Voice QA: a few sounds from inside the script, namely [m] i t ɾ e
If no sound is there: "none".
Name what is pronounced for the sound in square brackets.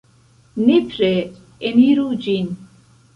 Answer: n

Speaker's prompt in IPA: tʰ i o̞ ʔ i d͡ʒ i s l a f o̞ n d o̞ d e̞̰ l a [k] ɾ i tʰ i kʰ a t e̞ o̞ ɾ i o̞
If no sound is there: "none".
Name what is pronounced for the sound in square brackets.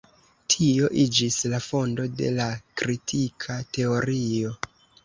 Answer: k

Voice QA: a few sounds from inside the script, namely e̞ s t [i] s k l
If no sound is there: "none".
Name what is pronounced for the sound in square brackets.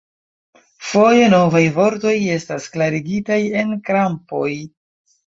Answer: a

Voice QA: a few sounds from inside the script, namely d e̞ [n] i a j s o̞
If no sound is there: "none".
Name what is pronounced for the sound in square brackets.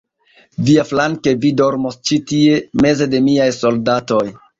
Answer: m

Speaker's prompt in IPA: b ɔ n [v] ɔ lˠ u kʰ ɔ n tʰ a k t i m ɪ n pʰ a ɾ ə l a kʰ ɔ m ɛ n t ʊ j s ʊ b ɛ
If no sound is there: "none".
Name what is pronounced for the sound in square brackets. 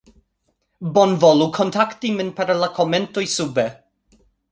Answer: v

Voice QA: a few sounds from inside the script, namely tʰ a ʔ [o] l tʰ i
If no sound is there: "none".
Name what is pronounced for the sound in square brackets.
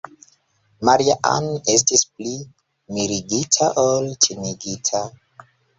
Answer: o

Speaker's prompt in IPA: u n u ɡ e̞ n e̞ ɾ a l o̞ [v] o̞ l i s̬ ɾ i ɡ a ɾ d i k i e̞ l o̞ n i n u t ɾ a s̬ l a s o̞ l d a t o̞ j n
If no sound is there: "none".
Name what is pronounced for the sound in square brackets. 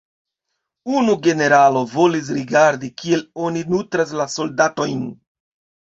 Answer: v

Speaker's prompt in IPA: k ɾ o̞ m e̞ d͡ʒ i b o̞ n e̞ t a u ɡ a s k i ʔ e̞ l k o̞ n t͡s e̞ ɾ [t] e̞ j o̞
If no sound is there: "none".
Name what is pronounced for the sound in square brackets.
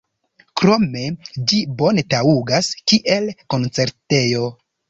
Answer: t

